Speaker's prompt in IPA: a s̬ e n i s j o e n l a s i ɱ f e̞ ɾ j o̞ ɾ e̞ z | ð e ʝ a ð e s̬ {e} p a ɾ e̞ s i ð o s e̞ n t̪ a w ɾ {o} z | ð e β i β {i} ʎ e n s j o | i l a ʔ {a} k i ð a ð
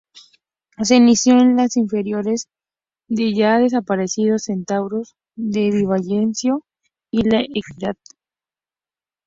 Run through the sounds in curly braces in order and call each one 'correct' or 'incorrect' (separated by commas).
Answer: incorrect, correct, incorrect, incorrect